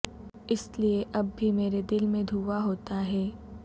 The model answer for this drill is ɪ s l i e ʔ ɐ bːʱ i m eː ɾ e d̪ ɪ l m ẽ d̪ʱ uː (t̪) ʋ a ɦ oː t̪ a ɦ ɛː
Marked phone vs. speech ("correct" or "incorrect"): incorrect